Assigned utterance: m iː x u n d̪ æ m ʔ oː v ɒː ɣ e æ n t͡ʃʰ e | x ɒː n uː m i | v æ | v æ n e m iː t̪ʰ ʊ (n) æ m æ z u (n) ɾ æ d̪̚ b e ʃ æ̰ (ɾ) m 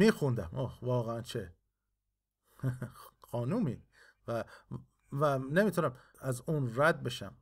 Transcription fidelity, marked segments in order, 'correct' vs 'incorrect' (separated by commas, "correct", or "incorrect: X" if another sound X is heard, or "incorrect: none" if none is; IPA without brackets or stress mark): correct, correct, incorrect: none